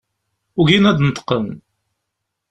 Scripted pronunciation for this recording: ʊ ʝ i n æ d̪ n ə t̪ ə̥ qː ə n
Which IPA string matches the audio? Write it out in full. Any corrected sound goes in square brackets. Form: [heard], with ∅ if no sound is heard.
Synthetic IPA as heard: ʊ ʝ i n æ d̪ n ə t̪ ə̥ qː ə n